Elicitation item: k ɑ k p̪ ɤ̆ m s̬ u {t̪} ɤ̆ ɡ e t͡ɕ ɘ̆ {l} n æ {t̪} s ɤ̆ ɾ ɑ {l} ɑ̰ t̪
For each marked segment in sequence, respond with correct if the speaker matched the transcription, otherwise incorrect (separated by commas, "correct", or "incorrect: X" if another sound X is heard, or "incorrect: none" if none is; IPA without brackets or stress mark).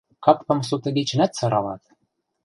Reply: correct, incorrect: none, correct, correct